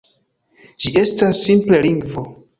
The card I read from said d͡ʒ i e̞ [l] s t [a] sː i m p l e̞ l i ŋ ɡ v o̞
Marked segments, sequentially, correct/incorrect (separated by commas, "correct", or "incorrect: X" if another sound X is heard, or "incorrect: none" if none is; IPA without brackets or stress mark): incorrect: none, correct